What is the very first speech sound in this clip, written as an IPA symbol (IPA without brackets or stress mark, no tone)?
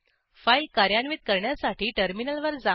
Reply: f